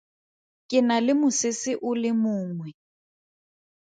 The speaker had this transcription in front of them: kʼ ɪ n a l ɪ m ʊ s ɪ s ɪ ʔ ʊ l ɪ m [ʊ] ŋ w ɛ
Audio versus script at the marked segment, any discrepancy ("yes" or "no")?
yes